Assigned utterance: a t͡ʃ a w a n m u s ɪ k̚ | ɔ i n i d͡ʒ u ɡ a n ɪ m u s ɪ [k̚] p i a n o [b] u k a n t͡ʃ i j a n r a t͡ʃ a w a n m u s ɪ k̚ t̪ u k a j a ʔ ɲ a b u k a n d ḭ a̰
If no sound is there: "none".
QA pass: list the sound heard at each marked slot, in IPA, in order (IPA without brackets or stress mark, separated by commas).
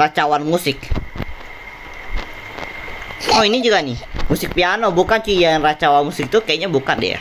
k̚, b